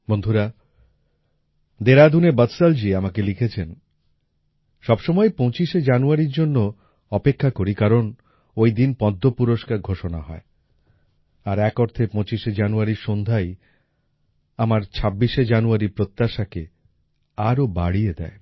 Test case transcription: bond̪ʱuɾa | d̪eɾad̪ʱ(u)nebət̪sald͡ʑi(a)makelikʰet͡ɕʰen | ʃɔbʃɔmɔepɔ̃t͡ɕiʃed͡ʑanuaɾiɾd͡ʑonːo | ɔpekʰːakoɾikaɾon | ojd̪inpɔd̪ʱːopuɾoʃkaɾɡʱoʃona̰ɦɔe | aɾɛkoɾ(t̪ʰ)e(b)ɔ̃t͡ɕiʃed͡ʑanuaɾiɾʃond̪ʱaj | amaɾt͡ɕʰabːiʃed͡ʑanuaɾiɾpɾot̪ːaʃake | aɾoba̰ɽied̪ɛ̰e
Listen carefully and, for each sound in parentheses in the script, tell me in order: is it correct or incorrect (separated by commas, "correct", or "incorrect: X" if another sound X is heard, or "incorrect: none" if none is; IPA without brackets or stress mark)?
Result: correct, correct, correct, incorrect: p